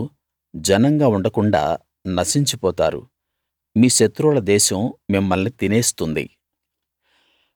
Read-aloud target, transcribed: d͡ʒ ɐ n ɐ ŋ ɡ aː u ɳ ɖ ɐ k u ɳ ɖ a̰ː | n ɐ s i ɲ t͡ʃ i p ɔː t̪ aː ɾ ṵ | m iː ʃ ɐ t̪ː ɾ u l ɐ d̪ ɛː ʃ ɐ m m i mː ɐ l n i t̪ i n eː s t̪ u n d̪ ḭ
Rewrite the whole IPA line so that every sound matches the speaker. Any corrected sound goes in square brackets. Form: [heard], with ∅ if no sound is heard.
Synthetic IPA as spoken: d͡ʒ ɐ n ɐ ŋ ɡ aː u ɳ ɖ ɐ k u ɳ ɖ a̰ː | n ɐ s i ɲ t͡ʃ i p ɔː t̪ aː ɾ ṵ | m iː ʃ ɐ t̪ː ɾ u l ɐ d̪ ɛː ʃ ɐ m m i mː ɐ l n i t̪ i n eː s t̪ u n d̪ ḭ

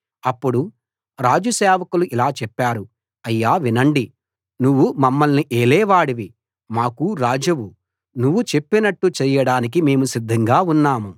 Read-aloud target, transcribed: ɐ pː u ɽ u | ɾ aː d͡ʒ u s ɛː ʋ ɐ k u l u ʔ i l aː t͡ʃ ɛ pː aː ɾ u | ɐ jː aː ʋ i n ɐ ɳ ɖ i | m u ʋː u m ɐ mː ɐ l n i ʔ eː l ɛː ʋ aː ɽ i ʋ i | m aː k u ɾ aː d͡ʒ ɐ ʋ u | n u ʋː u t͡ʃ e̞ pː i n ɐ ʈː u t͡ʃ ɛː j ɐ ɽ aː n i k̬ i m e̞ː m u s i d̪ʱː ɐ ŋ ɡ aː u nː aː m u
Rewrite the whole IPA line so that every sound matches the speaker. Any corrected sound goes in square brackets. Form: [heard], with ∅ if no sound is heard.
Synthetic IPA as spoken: ɐ pː u ɽ u | ɾ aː d͡ʒ u s ɛː ʋ ɐ k u l u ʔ i l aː t͡ʃ ɛ pː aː ɾ u | ɐ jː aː ʋ i n ɐ ɳ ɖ i | [n] u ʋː u m ɐ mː ɐ l n i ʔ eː l ɛː ʋ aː ɽ i ʋ i | m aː k u ɾ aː d͡ʒ ɐ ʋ u | n u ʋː u t͡ʃ e̞ pː i n ɐ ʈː u t͡ʃ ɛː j ɐ ɽ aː n i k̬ i m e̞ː m u s i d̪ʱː ɐ ŋ ɡ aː u nː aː m u

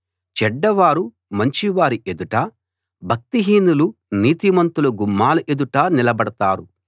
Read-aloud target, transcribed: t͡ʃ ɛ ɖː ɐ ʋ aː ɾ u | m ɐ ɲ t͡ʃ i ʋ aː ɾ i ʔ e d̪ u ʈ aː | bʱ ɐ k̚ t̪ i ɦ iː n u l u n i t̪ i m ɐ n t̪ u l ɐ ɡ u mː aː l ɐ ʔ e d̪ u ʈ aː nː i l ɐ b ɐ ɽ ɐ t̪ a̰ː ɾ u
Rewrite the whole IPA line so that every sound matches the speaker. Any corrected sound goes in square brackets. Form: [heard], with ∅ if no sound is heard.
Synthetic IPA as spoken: t͡ʃ ɛ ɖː ɐ ʋ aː ɾ u | m ɐ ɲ t͡ʃ i ʋ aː ɾ i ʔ e d̪ u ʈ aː | bʱ ɐ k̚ t̪ i ɦ iː n u l u n [iː] t̪ i m ɐ n t̪ u l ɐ ɡ u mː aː l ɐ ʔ e d̪ u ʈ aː [n] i l ɐ b ɐ ɽ ɐ t̪ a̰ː ɾ u

